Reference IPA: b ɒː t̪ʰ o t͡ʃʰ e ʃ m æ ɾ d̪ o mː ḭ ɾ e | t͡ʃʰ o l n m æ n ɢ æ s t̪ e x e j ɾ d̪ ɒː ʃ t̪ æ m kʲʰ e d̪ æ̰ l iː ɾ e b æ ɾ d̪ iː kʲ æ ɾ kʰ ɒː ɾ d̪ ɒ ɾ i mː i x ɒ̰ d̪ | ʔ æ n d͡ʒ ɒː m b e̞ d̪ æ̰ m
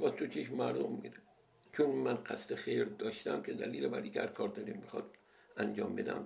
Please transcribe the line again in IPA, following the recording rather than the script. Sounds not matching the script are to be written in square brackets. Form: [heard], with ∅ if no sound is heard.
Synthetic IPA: b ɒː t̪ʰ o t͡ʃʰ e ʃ m æ ɾ d̪ o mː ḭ ɾ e | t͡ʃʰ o [∅] n m æ n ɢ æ s t̪ e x e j ɾ d̪ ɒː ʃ t̪ æ m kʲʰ e d̪ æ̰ l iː [l] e b æ ɾ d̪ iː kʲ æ ɾ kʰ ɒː ɾ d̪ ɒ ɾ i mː i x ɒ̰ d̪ | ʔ æ n d͡ʒ ɒː m b e̞ d̪ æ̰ m